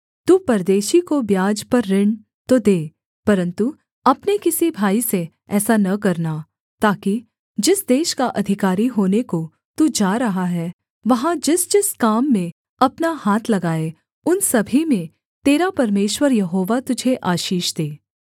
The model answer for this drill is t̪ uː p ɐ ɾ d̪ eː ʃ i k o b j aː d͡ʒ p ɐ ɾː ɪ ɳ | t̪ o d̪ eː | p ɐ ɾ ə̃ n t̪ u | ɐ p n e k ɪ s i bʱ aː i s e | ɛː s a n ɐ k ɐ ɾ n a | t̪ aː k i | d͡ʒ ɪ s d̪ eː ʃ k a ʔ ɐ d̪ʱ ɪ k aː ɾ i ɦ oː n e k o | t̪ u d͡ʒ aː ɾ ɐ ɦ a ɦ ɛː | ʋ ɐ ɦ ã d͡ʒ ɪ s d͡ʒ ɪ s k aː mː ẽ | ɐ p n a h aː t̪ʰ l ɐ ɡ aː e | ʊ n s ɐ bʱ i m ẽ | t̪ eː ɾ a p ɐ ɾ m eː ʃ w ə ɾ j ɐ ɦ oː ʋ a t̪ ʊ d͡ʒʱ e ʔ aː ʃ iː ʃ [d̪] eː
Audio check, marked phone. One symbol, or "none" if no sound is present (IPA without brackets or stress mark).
d̪